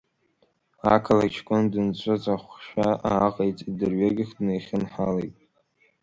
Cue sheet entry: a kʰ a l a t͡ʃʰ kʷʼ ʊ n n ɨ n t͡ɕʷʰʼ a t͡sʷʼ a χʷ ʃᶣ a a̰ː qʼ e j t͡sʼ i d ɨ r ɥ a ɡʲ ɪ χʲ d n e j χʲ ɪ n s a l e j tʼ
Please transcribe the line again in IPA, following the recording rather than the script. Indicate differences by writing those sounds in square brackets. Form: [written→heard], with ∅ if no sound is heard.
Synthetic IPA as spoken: a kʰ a l a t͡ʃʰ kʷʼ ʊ n [n→d] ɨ n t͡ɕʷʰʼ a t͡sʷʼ a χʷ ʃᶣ a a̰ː qʼ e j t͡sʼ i d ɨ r ɥ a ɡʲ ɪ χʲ d n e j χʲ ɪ n [s→ħ] a l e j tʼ